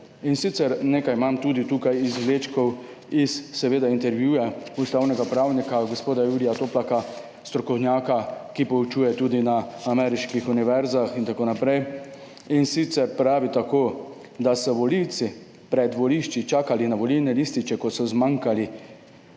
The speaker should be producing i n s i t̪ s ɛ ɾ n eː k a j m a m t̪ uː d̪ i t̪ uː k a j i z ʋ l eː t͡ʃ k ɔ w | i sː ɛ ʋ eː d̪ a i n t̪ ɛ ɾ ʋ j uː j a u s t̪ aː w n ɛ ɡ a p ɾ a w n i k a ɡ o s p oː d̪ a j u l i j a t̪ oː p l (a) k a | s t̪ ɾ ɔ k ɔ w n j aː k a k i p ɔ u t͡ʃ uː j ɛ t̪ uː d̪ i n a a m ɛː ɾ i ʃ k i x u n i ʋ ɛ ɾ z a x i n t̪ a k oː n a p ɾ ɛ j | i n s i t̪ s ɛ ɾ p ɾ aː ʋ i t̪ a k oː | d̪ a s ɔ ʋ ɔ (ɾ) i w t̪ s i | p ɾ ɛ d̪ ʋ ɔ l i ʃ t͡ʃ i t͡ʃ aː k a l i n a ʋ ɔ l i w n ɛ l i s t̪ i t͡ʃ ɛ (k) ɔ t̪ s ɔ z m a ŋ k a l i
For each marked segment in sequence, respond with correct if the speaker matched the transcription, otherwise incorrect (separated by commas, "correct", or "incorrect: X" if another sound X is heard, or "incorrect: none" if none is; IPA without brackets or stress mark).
correct, incorrect: l, correct